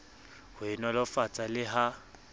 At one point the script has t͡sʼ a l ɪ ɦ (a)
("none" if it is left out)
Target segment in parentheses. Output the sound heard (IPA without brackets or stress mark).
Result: a